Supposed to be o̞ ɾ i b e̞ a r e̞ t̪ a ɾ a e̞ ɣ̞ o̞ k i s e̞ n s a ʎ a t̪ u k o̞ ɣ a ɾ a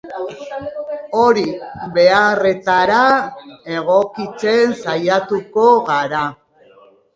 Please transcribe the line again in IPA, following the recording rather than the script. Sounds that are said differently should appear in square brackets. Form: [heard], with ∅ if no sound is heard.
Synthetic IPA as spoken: o̞ ɾ i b e̞ a r e̞ t̪ a ɾ a e̞ ɣ̞ o̞ k i [t͡s] e̞ n s a [j] a t̪ u k o̞ ɣ a ɾ a